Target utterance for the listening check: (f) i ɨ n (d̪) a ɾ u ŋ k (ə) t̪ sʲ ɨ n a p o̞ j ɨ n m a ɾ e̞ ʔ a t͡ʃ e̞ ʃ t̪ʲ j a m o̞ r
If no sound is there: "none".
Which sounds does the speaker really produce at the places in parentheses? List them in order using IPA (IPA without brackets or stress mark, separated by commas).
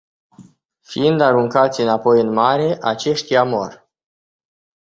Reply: f, d̪, a